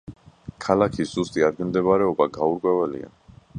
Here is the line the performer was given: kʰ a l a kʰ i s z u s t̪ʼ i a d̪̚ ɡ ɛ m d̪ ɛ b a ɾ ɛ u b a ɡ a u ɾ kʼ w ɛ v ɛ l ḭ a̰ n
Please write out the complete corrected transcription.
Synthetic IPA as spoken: kʰ a l a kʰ i s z u s t̪ʼ i a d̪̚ ɡ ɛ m d̪ ɛ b a ɾ ɛ ɔ b a ɡ a u ɾ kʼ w ɛ v ɛ l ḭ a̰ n